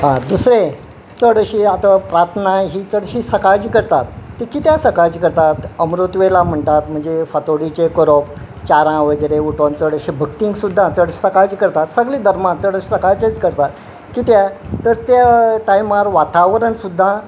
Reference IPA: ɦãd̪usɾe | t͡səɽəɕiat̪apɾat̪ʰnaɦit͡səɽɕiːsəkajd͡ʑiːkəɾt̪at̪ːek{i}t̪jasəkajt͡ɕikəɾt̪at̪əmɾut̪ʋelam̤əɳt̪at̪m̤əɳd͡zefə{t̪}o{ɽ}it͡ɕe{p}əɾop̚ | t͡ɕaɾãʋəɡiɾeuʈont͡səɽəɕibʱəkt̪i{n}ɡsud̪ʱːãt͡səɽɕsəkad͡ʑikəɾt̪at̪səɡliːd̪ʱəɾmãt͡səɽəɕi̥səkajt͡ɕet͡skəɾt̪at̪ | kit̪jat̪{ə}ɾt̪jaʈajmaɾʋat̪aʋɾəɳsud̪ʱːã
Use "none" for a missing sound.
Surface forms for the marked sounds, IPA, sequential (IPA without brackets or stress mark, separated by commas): i, t̪, ɽ, k, ŋ, ə